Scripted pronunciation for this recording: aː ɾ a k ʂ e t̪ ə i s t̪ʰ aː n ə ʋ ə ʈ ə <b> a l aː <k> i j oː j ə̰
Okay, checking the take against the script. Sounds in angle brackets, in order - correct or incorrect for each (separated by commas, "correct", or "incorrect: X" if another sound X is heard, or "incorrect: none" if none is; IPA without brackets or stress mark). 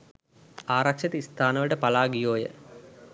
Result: incorrect: p, incorrect: ɡ